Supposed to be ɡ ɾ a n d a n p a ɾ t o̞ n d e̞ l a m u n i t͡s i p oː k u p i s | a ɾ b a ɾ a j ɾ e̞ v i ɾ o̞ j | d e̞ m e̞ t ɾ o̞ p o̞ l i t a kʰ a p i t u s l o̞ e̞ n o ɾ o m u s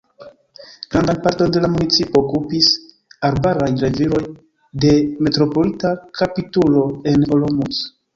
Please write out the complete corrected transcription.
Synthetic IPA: ɡ ɾ a n d a n p a ɾ t o̞ n d e̞ l a m u n i t͡s i p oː k u p i s | a ɾ b a ɾ a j ɾ e̞ v i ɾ o̞ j | d e̞ m e̞ t ɾ o̞ p o̞ l i t a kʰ a p i t u l o̞ e̞ n o l o m u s